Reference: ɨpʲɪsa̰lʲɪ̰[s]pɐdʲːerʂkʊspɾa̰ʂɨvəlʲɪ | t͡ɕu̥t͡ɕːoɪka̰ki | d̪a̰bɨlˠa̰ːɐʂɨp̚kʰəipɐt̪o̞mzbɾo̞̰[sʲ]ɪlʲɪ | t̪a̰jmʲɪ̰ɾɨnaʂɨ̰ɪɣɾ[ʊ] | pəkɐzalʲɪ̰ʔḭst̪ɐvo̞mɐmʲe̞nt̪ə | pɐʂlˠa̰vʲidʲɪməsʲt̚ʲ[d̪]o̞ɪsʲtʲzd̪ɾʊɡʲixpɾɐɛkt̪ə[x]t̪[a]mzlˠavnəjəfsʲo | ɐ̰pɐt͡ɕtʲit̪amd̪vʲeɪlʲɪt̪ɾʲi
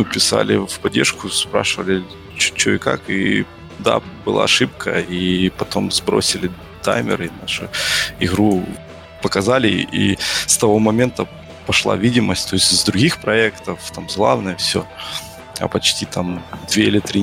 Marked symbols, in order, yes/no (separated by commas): no, yes, no, no, no, yes